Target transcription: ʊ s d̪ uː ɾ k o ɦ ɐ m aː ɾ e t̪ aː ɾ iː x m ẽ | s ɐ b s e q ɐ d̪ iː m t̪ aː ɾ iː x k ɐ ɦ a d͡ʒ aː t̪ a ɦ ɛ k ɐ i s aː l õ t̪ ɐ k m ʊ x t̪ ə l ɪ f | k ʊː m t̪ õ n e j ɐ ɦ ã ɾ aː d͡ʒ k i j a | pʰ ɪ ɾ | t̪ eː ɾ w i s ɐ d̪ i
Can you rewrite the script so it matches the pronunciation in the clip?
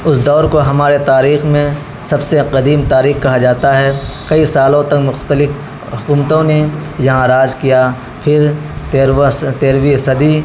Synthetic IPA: ʊ s d̪ ɔː ɾ k o ɦ ɐ m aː ɾ e t̪ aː ɾ iː x m ẽ | s ɐ b s e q ɐ d̪ iː m t̪ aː ɾ iː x k ɐ ɦ a d͡ʒ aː t̪ a ɦ ɛ k ɐ i s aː l õ t̪ ɐ k m ʊ x t̪ ə l ɪ f | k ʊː m t̪ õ n e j ɐ ɦ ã ɾ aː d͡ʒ k i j a | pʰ ɪ ɾ | t̪ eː ɾ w i s ɐ d̪ i